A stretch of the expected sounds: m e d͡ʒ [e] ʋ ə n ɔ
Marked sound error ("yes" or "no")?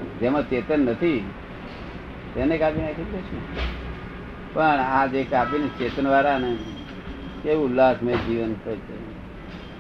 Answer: yes